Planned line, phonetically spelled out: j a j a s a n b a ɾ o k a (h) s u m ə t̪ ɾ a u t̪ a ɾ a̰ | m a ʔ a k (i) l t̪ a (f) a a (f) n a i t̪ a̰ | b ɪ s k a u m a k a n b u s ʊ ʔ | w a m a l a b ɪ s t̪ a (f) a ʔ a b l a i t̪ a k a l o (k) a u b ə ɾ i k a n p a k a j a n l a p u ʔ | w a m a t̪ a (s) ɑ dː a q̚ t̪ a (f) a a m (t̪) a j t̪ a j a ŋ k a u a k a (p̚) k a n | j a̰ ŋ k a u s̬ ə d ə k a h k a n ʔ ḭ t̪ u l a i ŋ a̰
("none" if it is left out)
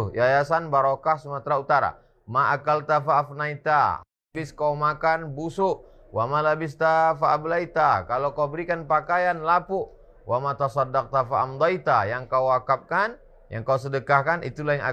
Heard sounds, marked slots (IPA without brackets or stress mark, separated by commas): h, a, f, f, f, k, s, f, d̪, p̚